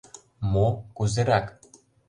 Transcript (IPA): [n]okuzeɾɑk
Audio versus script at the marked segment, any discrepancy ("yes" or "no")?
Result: yes